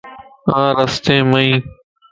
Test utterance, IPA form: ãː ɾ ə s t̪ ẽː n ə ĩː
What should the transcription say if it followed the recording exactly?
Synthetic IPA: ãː ɾ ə s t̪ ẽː m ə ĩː